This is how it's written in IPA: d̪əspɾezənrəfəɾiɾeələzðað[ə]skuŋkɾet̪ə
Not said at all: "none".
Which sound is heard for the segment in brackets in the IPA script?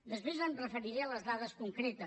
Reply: ə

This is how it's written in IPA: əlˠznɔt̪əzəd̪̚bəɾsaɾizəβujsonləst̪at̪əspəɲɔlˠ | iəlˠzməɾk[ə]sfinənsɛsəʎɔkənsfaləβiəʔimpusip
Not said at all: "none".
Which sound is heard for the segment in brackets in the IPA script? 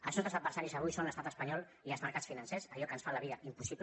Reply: a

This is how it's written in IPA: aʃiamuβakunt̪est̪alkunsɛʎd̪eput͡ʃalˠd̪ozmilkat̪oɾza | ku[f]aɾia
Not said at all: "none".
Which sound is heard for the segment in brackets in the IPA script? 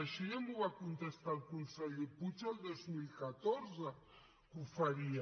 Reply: f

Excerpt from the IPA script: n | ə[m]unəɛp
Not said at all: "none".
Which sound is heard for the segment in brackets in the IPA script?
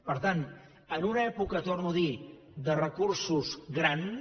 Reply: n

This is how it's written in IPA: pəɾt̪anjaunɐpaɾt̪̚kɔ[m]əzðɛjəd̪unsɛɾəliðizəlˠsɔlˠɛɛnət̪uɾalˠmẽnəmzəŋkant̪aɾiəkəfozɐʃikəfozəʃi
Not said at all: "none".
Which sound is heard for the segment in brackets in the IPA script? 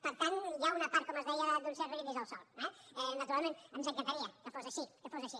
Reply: m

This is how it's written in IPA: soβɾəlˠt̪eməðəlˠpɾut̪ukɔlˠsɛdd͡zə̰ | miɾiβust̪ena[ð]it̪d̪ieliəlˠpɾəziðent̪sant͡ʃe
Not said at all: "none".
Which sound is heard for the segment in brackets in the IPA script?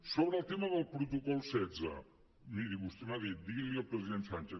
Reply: ð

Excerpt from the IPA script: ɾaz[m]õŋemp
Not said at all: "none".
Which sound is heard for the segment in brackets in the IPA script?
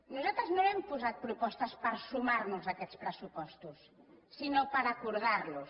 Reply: n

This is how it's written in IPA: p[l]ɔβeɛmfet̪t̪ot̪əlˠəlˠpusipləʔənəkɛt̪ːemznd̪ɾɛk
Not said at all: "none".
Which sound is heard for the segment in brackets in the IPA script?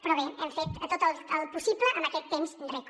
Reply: ɾ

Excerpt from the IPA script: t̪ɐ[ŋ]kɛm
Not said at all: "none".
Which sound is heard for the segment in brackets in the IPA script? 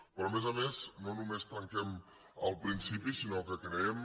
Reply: ŋ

